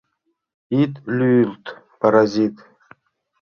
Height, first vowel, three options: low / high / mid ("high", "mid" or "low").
high